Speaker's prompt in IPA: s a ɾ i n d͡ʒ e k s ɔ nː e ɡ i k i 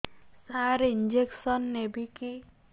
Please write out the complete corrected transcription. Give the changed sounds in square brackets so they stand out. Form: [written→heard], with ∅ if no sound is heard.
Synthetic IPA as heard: s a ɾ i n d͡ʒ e k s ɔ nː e [ɡ→b] i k i